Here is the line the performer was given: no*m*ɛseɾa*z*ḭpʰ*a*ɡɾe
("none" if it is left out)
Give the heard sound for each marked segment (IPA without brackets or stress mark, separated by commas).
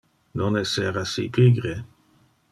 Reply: n, s, i